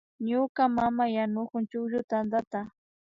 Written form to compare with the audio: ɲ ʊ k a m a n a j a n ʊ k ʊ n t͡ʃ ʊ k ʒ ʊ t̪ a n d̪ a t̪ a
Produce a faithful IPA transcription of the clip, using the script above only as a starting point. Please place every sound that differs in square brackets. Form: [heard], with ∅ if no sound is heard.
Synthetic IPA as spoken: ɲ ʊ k a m a [m] a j a n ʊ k ʊ n t͡ʃ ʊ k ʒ ʊ t̪ a n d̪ a t̪ a